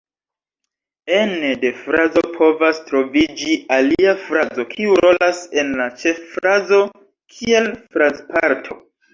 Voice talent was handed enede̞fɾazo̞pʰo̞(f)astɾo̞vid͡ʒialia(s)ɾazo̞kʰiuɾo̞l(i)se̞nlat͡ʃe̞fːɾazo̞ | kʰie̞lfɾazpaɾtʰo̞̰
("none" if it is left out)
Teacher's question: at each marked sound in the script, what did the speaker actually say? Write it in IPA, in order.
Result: v, f, a

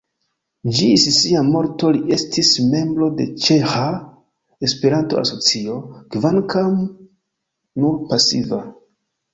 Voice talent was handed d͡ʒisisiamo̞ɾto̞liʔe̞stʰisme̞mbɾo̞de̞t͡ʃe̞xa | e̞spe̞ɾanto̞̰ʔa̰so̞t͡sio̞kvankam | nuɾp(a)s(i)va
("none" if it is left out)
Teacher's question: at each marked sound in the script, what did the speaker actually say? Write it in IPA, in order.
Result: a, i

